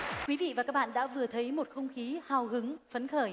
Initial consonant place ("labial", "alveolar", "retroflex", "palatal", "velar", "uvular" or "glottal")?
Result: velar